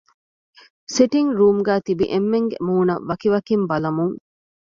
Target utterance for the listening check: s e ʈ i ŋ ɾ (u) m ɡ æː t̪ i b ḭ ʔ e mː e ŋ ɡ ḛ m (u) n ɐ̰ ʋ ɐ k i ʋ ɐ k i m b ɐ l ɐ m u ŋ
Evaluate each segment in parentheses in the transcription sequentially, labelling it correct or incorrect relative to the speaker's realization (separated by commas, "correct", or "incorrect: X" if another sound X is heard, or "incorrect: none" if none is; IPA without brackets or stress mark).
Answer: incorrect: uː, incorrect: uː